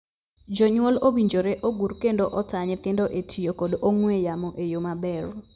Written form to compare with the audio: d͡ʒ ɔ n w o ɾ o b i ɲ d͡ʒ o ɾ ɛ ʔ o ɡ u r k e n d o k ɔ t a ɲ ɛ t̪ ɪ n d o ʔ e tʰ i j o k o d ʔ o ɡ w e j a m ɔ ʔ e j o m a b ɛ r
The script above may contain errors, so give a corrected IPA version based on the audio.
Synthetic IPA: d͡ʒ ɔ ɲ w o l o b i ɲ d͡ʒ o ɾ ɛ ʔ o ɡ u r k e n d o ʔ ɔ t a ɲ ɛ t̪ ɪ n d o ʔ e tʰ i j o k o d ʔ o ŋ w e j a m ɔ ʔ e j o m a b ɛ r